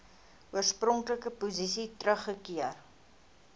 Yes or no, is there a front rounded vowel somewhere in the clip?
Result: no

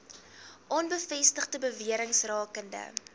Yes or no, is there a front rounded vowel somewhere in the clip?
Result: no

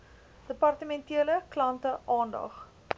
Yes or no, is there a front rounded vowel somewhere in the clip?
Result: no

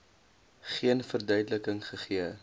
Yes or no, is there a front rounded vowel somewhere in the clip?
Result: yes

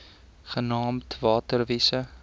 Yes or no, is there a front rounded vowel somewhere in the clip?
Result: no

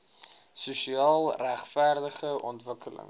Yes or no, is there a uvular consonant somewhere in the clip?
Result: yes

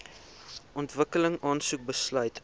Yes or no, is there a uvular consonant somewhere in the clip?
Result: no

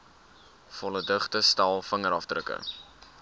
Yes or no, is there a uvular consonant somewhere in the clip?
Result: yes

